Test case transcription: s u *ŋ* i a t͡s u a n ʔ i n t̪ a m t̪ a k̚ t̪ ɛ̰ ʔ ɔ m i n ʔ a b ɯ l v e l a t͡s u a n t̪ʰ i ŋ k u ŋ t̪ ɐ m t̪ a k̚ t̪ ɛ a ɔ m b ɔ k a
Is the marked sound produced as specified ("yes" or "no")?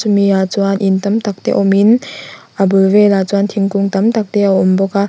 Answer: no